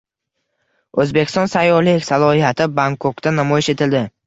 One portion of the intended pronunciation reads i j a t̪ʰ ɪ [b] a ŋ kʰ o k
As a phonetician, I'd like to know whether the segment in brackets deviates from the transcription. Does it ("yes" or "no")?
no